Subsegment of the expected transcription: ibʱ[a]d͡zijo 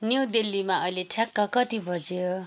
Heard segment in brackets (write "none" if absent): ʌ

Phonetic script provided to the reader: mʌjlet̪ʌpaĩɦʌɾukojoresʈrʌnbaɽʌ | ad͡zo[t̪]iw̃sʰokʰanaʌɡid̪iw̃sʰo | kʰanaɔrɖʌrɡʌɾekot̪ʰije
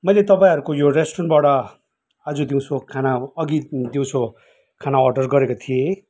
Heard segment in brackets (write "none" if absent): d̪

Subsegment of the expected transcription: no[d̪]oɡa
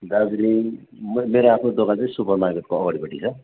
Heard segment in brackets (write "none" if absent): d̪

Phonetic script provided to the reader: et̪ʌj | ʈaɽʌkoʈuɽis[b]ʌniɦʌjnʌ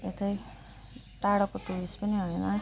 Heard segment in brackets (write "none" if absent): p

